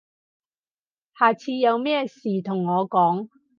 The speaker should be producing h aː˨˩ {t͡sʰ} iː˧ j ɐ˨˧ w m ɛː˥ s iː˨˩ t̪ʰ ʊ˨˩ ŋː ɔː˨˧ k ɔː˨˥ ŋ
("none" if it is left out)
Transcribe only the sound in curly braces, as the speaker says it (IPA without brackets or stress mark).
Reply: t͡sʰ